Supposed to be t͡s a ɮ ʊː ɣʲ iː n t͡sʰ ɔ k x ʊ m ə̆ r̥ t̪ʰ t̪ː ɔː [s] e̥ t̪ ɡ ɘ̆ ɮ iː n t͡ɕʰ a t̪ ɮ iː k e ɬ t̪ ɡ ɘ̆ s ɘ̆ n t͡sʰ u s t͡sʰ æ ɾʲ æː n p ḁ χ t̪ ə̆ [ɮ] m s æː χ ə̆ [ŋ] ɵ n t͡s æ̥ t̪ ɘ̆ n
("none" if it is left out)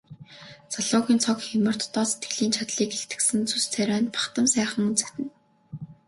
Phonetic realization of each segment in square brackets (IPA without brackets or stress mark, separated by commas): s, none, ŋ